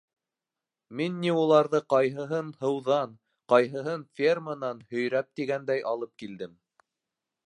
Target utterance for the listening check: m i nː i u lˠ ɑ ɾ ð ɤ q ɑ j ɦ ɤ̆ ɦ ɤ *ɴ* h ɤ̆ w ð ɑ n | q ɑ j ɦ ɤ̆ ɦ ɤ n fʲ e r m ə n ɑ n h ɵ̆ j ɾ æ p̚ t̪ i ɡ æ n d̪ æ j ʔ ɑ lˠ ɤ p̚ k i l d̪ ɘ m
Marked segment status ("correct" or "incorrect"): incorrect